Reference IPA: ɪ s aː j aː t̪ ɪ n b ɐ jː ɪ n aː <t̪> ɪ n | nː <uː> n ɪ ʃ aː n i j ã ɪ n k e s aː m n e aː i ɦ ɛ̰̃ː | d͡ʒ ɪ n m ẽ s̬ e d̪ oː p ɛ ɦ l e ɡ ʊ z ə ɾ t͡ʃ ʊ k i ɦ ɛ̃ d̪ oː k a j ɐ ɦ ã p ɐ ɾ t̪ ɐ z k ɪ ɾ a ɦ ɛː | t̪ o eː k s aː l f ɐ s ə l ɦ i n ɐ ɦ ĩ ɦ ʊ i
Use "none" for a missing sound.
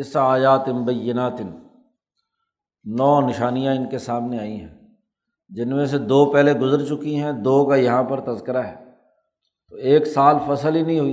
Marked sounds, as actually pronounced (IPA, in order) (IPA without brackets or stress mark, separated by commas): t̪, ɔː